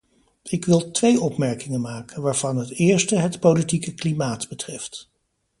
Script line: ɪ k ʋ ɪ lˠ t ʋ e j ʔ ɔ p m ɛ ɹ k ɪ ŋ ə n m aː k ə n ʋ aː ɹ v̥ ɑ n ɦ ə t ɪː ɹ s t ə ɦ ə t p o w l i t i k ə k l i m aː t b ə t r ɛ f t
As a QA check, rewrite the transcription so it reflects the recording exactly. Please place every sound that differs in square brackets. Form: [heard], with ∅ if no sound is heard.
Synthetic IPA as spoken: ɪ k ʋ ɪ lˠ t ʋ e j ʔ ɔ p m ɛ ɹ k ɪ ŋ ə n m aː k ə n ʋ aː ɹ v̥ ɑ n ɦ ə t ɪː ɹ s t ə ɦ ə t p o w l i t i k ə k l i m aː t b ə t r ɛ f t